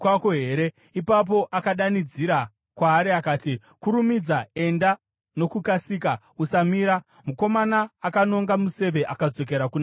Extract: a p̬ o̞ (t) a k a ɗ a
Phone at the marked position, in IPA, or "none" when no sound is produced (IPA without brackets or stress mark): ʔ